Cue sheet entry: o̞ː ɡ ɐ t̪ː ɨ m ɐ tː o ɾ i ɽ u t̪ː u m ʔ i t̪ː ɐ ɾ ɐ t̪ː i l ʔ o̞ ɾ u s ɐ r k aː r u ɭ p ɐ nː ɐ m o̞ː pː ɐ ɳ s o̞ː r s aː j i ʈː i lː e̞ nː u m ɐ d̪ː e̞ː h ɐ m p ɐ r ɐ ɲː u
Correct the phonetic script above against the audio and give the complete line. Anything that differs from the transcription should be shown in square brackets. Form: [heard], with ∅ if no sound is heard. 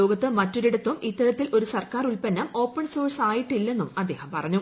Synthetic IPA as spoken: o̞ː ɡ ɐ t̪ː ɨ m ɐ tː o ɾ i ɽ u t̪ː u m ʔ i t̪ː ɐ ɾ ɐ t̪ː i l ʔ o̞ ɾ u s ɐ r k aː r u ɭ p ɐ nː ɐ m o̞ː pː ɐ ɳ s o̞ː r s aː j i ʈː i lː e̞ nː u m ɐ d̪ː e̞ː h ɐ m p ɐ r ɐ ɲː u